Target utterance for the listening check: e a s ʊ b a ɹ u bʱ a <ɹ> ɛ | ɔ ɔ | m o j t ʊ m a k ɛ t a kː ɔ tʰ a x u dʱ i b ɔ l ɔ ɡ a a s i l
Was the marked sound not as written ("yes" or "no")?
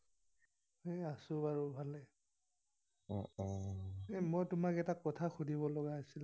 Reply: yes